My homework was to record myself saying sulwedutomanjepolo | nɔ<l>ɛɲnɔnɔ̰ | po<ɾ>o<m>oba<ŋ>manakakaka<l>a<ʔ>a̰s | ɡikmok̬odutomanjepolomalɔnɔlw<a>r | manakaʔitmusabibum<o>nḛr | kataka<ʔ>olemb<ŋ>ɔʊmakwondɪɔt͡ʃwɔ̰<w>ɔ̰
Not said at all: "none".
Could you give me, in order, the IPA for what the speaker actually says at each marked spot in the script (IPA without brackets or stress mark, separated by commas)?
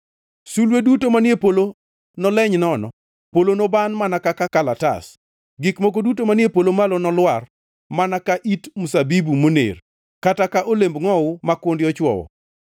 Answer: l, l, n, n, l, t, a, o, ʔ, ŋ, w